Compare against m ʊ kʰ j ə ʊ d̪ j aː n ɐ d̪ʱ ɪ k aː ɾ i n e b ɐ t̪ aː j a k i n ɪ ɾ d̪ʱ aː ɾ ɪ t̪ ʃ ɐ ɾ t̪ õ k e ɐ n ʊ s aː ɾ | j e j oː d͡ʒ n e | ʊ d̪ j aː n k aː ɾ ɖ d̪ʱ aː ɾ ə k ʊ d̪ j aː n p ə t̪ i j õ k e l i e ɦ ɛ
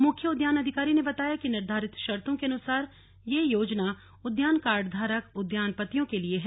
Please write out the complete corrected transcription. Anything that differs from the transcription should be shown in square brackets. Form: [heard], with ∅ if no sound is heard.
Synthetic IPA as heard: m ʊ kʰ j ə ʊ d̪ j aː n ɐ d̪ʱ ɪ k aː ɾ i n e b ɐ t̪ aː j a k i n ɪ ɾ d̪ʱ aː ɾ ɪ t̪ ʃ ɐ ɾ t̪ õ k e ɐ n ʊ s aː ɾ | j e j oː d͡ʒ n [a] | ʊ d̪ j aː n k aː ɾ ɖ d̪ʱ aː ɾ ə k ʊ d̪ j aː n p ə t̪ i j õ k e l i e ɦ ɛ